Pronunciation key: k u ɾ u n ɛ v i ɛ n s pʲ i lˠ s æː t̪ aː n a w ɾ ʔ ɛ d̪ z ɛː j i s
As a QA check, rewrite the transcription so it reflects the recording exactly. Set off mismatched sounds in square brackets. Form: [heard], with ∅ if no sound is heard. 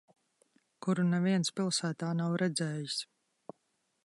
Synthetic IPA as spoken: k u ɾ u n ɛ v i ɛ n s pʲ i lˠ s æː t̪ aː n a w ɾ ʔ ɛ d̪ z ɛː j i s